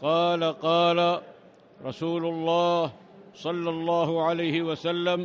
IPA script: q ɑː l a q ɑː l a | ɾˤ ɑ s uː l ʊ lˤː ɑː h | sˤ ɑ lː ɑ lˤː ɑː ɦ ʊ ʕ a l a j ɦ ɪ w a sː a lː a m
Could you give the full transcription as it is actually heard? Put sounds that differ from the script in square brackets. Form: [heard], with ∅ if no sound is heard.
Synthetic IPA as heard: q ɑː l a q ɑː l a | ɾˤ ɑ s uː l ʊ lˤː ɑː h | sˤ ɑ lː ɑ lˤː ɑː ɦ ʊ ʕ a l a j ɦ ɪ w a [s] a lː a m